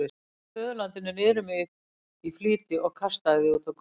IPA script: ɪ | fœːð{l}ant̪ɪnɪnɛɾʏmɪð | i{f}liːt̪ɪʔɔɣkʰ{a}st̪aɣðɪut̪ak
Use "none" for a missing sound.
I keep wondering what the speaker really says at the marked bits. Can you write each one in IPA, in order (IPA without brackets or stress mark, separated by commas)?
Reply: l, f, a